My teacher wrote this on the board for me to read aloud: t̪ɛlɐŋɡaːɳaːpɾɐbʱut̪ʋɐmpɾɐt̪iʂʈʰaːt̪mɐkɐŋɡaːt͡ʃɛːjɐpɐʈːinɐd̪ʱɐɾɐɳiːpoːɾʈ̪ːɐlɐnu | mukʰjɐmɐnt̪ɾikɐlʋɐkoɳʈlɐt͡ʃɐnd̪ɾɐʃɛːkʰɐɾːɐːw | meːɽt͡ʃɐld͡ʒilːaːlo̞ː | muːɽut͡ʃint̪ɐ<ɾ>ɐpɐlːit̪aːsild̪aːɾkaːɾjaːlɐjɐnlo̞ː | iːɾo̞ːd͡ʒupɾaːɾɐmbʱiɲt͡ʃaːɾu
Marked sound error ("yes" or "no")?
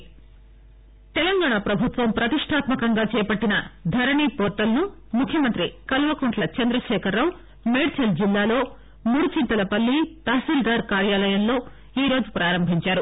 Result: yes